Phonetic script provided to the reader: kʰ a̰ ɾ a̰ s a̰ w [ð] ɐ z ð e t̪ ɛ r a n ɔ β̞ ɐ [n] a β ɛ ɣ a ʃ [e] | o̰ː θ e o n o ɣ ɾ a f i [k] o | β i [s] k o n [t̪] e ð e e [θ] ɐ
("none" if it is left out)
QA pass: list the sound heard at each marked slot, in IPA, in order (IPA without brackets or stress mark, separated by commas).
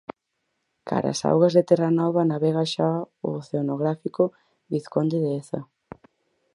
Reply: ɣ, n, a, k, θ, d̪, θ